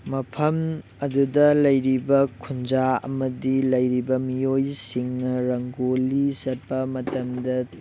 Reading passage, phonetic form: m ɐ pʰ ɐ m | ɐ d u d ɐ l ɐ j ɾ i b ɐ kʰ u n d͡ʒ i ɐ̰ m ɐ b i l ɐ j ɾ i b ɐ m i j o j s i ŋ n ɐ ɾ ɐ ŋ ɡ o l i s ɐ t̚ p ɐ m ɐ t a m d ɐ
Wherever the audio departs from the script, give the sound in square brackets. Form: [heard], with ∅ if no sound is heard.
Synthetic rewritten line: m ɐ pʰ ɐ m | ɐ d u d ɐ l ɐ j ɾ i b ɐ kʰ u n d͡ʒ [a] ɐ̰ m ɐ [d] i l ɐ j ɾ i b ɐ m i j o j s i ŋ n ɐ ɾ ɐ ŋ ɡ o l i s ɐ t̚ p ɐ m ɐ t [ɐ] m d ɐ